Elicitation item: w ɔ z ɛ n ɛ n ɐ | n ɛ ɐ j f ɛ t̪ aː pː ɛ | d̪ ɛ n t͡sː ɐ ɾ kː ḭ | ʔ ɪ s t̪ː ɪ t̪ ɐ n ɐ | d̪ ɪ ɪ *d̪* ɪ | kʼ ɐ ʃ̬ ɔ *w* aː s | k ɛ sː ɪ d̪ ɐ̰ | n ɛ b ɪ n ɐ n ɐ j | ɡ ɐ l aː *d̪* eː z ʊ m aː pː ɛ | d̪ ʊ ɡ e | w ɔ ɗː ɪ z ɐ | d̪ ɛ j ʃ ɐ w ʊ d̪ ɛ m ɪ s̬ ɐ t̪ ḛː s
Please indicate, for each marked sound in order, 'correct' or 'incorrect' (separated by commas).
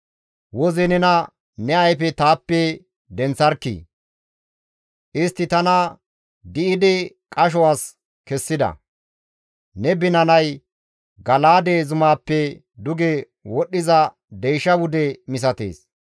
correct, correct, correct